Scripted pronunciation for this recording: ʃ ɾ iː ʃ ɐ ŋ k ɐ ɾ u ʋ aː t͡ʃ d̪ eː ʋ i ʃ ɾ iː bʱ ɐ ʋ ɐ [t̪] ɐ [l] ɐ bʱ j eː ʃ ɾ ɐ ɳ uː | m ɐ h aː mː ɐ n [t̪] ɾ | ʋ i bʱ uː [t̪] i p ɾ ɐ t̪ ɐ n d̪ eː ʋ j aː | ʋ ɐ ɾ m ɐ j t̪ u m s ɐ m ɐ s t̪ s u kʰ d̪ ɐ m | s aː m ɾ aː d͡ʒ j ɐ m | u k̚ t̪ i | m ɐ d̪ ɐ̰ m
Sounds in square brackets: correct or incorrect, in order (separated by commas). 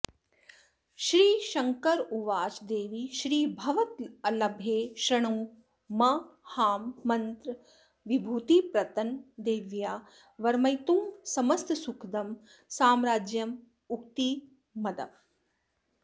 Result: correct, correct, correct, correct